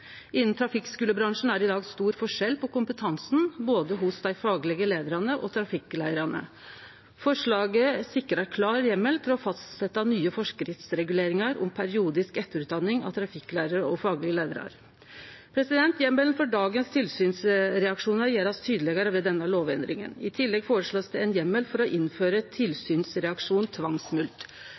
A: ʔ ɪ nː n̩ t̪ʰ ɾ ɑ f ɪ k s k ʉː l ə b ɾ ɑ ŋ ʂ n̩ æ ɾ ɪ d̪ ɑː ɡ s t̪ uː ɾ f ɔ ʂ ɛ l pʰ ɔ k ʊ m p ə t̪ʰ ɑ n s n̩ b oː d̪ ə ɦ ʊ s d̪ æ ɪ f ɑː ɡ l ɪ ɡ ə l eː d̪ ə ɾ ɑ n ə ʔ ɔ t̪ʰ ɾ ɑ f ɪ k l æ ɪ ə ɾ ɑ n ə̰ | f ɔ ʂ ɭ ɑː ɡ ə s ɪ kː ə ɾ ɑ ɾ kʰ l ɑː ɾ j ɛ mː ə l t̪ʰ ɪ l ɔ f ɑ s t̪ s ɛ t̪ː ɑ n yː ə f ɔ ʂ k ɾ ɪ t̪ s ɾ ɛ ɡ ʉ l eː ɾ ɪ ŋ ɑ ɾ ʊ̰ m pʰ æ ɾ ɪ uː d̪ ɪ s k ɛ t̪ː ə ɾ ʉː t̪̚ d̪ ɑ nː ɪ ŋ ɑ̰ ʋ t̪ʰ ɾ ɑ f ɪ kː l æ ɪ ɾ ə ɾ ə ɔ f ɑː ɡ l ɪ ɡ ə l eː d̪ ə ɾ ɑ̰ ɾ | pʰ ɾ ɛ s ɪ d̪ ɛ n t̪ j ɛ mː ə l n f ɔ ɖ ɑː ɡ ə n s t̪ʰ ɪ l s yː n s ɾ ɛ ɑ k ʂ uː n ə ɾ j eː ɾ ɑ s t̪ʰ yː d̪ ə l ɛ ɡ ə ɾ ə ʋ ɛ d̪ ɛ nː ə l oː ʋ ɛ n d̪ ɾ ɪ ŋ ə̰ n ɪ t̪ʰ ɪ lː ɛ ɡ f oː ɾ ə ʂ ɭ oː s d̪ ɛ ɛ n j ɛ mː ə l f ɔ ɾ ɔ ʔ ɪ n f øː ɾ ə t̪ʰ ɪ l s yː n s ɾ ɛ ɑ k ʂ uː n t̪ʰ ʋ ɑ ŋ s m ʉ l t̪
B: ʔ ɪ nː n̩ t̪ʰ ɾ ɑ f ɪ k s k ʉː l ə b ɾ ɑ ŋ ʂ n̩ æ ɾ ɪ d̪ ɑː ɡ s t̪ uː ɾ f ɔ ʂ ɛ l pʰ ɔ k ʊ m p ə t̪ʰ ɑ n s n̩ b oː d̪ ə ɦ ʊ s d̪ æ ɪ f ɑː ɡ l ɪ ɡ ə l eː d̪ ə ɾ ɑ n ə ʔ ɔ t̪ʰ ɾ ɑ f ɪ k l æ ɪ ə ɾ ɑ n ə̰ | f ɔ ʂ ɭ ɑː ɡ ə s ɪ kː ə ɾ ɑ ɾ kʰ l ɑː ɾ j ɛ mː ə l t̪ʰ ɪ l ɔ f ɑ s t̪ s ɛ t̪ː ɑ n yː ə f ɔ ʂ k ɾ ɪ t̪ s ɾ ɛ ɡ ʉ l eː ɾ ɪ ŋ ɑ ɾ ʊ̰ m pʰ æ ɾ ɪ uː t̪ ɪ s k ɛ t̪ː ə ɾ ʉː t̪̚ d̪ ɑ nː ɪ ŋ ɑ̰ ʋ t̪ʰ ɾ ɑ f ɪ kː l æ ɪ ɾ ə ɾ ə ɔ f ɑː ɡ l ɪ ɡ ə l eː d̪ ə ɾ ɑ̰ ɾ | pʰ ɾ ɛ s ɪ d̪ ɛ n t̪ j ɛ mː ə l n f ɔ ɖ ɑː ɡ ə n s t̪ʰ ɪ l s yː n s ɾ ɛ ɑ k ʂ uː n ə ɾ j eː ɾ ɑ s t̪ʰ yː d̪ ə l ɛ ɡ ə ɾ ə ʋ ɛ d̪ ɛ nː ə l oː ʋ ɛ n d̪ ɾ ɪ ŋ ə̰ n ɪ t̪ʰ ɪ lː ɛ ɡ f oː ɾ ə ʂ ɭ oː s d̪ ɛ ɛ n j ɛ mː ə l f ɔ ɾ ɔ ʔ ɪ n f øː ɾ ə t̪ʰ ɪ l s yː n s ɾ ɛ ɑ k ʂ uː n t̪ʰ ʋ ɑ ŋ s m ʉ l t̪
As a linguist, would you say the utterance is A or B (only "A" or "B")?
A